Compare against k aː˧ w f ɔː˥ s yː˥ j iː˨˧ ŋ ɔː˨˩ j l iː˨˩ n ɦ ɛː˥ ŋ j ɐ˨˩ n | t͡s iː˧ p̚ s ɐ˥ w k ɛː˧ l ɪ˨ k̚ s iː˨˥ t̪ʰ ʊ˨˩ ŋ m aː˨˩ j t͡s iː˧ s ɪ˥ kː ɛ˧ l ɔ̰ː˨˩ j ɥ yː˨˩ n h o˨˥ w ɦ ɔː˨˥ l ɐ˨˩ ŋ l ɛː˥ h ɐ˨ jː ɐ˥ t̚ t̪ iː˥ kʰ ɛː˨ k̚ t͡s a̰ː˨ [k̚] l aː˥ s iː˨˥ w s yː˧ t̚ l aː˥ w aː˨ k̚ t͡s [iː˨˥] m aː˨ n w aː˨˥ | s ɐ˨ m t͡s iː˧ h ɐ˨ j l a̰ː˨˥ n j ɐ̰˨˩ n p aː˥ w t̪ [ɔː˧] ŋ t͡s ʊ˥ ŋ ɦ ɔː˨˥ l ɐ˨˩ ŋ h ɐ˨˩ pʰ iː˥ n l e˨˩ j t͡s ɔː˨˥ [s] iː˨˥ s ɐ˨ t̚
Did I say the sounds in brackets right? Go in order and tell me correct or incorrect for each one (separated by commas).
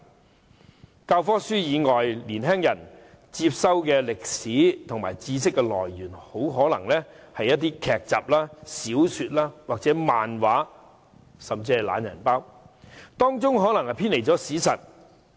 incorrect, incorrect, incorrect, correct